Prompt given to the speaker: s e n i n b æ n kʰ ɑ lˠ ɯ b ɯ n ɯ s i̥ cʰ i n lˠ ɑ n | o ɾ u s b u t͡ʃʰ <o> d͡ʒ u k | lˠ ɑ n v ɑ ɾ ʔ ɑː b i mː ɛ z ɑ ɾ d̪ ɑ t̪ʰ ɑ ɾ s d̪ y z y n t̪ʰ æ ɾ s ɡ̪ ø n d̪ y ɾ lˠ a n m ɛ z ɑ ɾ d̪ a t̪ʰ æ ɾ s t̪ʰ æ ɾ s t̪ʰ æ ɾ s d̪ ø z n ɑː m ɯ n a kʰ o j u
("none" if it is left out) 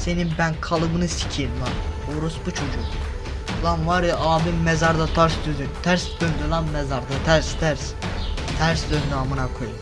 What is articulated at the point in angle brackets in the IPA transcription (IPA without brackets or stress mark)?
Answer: o